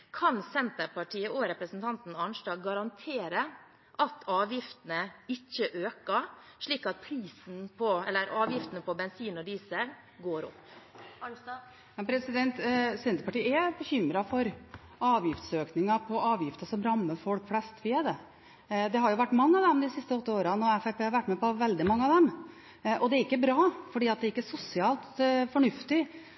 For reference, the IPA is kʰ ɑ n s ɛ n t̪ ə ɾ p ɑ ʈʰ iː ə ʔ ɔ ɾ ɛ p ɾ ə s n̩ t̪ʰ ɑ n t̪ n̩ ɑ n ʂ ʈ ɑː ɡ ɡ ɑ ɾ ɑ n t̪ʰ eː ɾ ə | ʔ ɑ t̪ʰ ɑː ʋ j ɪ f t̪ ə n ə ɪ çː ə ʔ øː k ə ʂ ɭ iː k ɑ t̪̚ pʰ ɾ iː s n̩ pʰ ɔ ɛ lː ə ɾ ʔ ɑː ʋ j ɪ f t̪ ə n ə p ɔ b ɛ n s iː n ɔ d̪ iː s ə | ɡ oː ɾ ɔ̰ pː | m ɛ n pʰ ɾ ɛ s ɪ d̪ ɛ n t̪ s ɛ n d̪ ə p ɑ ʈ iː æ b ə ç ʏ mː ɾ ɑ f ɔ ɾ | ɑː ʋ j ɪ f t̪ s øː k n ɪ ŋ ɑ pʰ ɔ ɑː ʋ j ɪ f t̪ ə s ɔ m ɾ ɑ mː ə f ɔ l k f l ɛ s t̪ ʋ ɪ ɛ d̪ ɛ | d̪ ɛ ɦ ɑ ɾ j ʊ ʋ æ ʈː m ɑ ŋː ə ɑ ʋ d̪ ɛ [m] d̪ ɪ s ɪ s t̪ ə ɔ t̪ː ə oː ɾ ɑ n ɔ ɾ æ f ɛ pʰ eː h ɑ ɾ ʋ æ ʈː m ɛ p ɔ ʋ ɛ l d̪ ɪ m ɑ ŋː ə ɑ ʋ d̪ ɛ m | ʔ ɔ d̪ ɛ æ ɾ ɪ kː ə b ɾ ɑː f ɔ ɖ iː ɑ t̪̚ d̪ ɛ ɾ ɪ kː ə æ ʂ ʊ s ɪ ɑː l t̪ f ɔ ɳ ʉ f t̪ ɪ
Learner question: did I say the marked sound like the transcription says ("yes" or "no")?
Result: yes